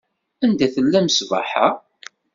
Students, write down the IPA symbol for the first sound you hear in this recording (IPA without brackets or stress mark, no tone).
æ